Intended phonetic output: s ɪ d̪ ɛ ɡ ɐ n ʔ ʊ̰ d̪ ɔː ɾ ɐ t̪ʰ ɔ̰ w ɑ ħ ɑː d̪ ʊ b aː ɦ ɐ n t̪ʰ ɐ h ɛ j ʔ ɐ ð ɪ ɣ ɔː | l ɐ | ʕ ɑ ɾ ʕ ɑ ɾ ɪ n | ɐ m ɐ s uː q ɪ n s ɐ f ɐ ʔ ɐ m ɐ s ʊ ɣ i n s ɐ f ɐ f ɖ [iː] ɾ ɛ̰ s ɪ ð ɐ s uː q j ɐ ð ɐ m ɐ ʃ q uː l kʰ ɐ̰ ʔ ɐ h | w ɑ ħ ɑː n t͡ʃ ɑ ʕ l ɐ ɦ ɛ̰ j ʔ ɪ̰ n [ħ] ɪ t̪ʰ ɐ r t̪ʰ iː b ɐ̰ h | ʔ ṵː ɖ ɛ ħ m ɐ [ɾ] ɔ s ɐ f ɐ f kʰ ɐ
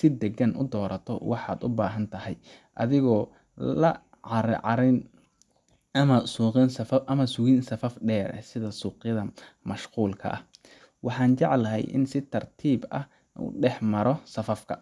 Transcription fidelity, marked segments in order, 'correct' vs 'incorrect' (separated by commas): incorrect, incorrect, correct